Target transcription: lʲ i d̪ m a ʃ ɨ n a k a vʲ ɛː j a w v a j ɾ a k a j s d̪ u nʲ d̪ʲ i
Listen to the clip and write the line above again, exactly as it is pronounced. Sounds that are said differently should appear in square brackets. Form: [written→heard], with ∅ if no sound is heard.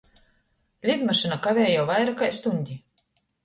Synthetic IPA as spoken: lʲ i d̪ m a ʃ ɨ n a k a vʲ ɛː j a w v a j ɾ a k a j s [d̪→t̪] u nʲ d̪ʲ i